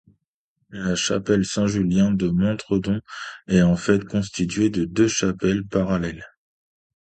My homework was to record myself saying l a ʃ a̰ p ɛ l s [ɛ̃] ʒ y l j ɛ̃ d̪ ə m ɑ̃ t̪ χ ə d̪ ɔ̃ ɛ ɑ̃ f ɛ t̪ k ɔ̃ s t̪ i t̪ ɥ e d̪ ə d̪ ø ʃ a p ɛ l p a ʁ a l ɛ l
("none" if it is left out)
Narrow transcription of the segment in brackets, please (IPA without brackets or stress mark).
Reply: ɛ̃